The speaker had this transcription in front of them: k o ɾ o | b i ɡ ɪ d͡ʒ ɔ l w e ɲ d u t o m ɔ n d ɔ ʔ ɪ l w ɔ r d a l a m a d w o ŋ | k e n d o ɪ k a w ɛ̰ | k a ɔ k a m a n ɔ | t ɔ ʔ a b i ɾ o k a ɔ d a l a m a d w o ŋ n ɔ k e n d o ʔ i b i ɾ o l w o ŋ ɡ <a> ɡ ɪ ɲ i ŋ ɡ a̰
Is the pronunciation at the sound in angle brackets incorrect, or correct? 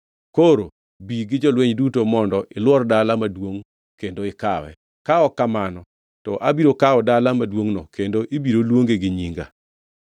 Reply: incorrect